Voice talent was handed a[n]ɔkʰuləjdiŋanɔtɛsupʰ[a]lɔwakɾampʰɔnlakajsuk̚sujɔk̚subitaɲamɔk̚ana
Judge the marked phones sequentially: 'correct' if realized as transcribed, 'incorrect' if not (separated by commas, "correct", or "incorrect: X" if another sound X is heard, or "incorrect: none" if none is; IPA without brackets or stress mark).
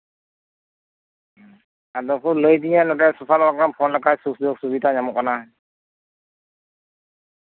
incorrect: d, correct